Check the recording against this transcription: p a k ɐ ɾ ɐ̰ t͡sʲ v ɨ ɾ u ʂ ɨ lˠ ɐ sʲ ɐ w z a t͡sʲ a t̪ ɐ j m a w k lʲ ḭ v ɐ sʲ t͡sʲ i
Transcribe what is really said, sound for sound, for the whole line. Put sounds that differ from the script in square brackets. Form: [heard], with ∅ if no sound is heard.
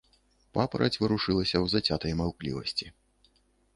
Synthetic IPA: p a [p] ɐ ɾ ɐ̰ t͡sʲ v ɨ ɾ u ʂ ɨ lˠ ɐ sʲ ɐ w z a t͡sʲ a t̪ ɐ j m a w k lʲ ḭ v ɐ sʲ t͡sʲ i